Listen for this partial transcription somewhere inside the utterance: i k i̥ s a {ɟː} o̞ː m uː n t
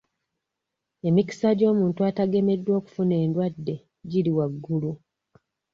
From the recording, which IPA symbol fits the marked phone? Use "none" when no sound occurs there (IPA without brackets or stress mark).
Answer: ɟ